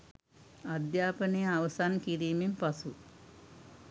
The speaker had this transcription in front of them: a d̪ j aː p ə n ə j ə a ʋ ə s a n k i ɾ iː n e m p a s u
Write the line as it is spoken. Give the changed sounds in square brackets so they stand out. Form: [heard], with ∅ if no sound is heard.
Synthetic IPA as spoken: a d̪ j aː p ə n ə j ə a ʋ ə s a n k i ɾ iː [m] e m p a s u

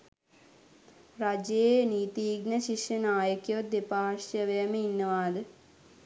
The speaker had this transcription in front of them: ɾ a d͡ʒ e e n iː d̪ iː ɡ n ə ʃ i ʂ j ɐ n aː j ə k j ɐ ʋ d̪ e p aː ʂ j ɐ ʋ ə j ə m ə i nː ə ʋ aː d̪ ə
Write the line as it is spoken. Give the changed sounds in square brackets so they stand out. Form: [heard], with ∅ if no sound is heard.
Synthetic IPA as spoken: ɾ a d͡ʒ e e n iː [t̪] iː ɡ n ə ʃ i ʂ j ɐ n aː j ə k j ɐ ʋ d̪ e p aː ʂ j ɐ ʋ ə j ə m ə i nː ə ʋ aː d̪ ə

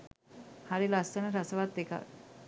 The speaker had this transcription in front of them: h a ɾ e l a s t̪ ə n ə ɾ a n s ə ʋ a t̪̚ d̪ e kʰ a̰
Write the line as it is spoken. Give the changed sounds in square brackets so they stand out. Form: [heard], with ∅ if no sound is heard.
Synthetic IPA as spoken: h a ɾ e l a s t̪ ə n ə ɾ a [∅] s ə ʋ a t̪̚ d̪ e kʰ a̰

